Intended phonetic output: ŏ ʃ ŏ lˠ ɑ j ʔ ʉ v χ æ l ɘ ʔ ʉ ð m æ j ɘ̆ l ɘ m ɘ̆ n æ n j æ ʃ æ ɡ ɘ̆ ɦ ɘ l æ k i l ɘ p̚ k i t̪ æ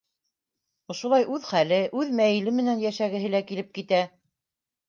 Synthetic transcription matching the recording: ŏ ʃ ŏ lˠ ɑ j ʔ ʉ ð χ æ l ɘ ʔ ʉ ð m æ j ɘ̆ l ɘ m ɘ̆ n æ n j æ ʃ æ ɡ ɘ̆ ɦ ɘ l æ k i l ɘ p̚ k i t̪ æ